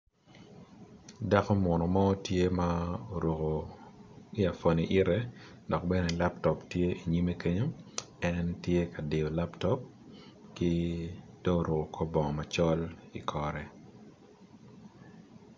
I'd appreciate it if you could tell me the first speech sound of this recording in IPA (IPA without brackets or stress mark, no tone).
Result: d